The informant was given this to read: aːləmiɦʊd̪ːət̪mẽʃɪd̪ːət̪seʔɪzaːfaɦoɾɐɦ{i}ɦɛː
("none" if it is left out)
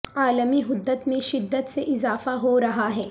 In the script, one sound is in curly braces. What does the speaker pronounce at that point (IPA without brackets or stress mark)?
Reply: a